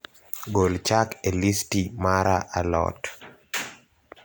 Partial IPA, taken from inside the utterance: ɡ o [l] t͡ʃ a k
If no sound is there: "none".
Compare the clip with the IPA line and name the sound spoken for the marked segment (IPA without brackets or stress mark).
l